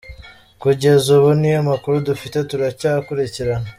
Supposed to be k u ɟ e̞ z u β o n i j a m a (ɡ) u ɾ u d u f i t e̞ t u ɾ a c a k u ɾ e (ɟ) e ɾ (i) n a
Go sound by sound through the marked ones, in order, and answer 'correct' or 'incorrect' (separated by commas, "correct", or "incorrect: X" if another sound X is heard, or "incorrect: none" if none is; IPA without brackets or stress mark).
incorrect: k, incorrect: c, incorrect: a